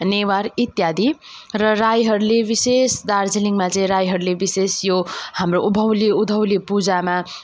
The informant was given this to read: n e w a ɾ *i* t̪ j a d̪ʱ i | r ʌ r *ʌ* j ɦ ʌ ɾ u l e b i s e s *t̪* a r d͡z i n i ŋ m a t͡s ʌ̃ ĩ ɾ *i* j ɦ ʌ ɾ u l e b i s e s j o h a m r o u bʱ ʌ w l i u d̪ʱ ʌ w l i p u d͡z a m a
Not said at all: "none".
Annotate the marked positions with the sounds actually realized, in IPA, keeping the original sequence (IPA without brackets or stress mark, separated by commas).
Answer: i, a, d̪, a